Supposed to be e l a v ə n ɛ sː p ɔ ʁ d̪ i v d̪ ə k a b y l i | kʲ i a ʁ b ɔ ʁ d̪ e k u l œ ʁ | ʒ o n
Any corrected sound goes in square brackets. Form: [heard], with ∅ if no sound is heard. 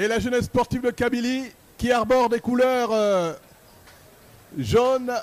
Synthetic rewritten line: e l a [ʒ] ə n ɛ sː p ɔ ʁ [t̪] i v d̪ ə k a b [i] l i | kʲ i a ʁ b ɔ ʁ d̪ e k u l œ ʁ | ʒ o n

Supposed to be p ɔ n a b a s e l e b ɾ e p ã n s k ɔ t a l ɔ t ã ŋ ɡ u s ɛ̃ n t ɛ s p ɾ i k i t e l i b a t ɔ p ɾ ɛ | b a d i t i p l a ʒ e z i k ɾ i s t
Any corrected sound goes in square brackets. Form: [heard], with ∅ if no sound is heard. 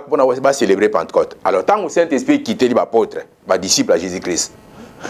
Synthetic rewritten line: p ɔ n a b a s e l e b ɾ e p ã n [t] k ɔ t a l ɔ t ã ŋ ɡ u s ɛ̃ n t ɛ s p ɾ i k i t e l i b a [p] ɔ [t] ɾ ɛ | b a d i [s] i p l a ʒ e z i k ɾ i s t

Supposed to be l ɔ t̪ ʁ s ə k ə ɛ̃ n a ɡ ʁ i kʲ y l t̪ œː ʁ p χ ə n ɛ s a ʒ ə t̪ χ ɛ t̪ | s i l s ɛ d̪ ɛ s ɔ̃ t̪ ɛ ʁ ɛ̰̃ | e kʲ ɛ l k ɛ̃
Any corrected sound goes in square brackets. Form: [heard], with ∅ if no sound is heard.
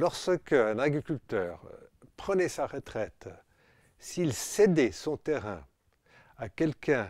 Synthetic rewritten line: l ɔ [∅] ʁ s ə k ə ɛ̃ n a ɡ ʁ i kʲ y l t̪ œː ʁ p χ ə n ɛ s a [ʁ] ə t̪ χ ɛ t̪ | s i l s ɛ d̪ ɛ s ɔ̃ t̪ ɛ ʁ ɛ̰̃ | [a] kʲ ɛ l k ɛ̃

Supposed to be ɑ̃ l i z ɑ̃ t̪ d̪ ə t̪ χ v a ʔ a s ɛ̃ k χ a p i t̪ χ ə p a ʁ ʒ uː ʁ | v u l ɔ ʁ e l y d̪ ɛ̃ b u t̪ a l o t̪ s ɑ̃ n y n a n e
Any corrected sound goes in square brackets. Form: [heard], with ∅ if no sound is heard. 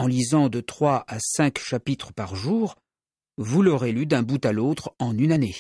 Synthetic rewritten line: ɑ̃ l i z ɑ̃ [∅] d̪ ə t̪ χ [w] a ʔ a s ɛ̃ k [ʃ] a p i t̪ χ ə p a ʁ ʒ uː ʁ | v u l ɔ ʁ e l y d̪ ɛ̃ b u t̪ a l o t̪ [χ] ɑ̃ n y n a n e

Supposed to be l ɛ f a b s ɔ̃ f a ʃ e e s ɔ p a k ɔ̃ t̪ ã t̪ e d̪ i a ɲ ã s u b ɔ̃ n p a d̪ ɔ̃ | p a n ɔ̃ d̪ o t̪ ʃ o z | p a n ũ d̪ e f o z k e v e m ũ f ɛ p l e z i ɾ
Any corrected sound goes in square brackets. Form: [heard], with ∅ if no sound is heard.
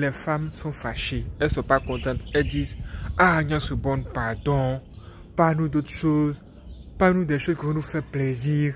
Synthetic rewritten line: l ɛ f a [m] s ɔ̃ f a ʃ e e s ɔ p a k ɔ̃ t̪ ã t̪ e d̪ i a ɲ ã s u b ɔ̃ n p a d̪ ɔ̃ | p a n [ũ] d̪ o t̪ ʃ o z | p a n ũ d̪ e [ʃ] o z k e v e [n] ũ f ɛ p l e z i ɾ

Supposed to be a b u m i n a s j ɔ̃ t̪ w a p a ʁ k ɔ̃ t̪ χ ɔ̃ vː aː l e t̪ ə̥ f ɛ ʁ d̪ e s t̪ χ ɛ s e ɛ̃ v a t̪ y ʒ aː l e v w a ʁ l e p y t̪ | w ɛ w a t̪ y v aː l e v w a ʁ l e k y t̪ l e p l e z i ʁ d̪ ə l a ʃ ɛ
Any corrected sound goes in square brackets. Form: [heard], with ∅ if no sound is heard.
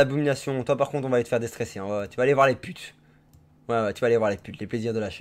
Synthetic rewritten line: a b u m i n a s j ɔ̃ t̪ w a p a ʁ k ɔ̃ t̪ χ ɔ̃ [v] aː l e t̪ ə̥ f ɛ ʁ d̪ e s t̪ χ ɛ s e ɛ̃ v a t̪ y [v] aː l e v w a ʁ l e p y t̪ | w ɛ w [ɛ] t̪ y v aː l e v w a ʁ l e [p] y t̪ l e p l e z i ʁ d̪ ə l a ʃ ɛ

